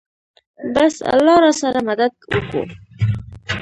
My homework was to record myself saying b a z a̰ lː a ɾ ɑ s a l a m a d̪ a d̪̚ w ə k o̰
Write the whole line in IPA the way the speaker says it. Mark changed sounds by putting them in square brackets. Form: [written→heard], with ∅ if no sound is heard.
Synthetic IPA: b a [z→s] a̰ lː [a→ɑ] ɾ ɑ s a [l→ɾ] a m a d̪ a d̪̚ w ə k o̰